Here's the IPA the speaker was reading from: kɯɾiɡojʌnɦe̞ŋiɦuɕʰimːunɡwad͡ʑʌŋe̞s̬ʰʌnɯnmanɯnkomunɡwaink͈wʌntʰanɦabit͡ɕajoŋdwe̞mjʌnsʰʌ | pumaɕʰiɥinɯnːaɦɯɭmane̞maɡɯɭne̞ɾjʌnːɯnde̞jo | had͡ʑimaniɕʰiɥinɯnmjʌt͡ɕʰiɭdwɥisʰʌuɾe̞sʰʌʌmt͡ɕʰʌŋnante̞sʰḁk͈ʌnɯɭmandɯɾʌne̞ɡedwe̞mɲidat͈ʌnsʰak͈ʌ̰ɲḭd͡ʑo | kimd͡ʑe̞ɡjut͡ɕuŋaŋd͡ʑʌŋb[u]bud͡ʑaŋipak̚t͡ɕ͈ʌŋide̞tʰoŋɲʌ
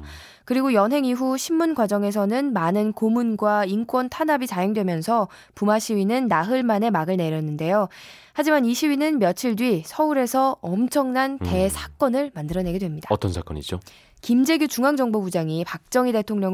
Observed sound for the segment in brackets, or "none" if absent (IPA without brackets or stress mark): o